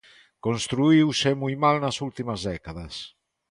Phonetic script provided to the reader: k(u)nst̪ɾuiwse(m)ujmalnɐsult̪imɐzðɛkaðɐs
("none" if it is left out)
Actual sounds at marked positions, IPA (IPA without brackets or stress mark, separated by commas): o, m